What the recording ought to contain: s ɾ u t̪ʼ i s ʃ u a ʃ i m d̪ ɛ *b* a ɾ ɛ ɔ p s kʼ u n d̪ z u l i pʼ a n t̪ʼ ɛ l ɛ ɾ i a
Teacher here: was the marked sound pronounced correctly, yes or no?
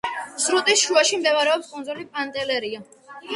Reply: no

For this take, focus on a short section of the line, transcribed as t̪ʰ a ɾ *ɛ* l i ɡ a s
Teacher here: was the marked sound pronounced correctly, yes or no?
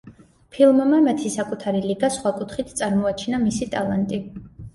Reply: no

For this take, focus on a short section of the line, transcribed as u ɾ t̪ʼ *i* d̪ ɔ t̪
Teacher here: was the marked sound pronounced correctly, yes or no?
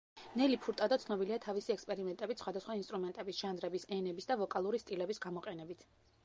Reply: no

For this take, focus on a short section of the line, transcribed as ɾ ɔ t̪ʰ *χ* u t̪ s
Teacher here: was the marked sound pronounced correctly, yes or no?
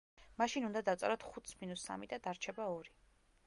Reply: yes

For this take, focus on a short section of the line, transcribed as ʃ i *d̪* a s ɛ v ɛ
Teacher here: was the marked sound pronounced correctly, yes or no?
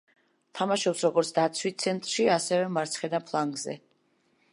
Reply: no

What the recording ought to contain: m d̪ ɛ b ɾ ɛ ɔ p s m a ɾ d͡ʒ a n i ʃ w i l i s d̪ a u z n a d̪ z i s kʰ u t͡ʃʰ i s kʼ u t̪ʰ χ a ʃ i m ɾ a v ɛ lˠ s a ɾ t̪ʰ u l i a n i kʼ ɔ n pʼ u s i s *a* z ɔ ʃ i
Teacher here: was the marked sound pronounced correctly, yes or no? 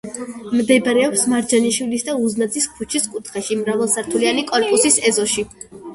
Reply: no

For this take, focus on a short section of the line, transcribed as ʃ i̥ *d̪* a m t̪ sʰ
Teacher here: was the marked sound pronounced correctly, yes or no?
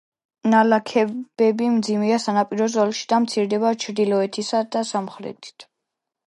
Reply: yes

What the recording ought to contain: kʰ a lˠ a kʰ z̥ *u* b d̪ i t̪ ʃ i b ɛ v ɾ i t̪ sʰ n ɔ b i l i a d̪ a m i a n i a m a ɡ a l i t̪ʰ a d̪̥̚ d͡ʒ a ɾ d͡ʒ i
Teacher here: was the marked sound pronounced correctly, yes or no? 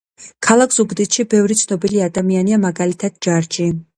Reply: yes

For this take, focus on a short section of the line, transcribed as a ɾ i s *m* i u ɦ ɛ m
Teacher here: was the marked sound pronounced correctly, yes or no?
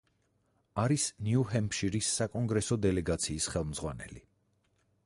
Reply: no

